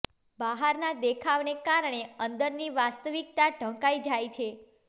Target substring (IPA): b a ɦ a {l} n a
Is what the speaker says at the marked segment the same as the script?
no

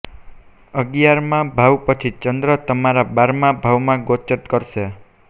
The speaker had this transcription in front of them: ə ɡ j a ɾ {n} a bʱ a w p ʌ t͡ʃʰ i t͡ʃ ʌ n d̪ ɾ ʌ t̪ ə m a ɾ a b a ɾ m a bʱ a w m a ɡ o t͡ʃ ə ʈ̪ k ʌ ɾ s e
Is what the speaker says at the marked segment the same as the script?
no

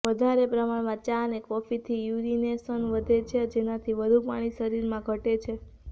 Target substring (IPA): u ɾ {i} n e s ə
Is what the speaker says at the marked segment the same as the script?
yes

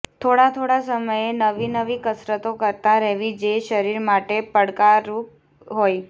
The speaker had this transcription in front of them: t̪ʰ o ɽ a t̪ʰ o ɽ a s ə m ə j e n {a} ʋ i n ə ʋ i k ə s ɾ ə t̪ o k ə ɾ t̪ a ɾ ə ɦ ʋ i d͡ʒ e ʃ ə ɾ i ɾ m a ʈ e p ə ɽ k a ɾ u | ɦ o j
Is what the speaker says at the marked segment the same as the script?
no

